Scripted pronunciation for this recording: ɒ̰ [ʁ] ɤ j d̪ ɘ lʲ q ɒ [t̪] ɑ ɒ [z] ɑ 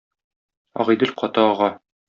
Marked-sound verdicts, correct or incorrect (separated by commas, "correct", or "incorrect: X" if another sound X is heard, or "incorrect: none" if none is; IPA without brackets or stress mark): correct, correct, incorrect: ʁ